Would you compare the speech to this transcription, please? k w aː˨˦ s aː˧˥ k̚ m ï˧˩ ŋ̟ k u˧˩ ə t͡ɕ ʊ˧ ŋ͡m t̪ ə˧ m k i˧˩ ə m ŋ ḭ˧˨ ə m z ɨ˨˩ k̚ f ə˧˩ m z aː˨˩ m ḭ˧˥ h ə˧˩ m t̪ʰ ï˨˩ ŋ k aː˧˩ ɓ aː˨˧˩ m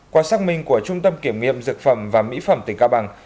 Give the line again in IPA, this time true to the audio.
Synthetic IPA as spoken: k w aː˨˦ s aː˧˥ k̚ m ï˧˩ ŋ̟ k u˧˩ ə t͡ɕ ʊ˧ ŋ͡m t̪ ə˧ m k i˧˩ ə m ŋ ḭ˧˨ ə m z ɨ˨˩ k̚ f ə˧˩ m v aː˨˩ m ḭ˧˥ f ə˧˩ m t̪ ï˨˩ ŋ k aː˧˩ ɓ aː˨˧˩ ŋ